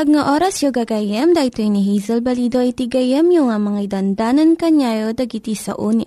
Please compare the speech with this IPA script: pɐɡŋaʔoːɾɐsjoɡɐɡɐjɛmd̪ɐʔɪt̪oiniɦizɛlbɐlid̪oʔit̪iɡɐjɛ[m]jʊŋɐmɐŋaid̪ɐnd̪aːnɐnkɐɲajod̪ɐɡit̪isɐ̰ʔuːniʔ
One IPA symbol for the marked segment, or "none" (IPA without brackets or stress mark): m